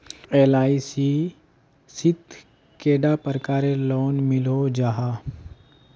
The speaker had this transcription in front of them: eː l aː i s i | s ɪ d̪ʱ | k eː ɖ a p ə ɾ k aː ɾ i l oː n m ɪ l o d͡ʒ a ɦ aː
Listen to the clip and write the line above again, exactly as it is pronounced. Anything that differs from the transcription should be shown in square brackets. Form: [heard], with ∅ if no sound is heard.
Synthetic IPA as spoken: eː l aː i s i | s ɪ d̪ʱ | k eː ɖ a p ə ɾ k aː ɾ [e] l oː n m ɪ l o d͡ʒ a ɦ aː